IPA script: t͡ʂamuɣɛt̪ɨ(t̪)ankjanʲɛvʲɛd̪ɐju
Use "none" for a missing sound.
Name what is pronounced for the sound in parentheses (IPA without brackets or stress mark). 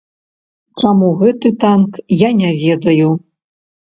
t̪